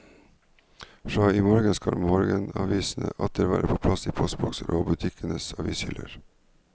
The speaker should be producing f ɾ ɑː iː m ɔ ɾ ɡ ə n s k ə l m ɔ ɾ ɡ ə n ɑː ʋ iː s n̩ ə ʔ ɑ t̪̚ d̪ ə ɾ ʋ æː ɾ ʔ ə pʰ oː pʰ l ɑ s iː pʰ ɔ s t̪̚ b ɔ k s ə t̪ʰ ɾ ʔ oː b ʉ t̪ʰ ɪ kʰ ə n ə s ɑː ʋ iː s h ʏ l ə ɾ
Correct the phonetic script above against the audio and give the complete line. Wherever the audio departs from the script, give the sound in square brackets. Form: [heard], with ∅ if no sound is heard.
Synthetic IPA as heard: f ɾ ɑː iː m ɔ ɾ ɡ ə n s k [ɑ] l m ɔ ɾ ɡ ə n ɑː ʋ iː s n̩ ə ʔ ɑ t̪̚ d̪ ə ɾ ʋ æː ɾ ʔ ə pʰ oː pʰ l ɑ s iː pʰ ɔ s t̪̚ b ɔ k s ə [∅] ɾ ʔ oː b ʉ t̪ʰ ɪ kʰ ə n ə s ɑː ʋ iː s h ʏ l ə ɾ